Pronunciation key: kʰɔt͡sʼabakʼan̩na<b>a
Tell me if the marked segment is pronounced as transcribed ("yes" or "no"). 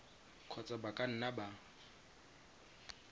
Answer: yes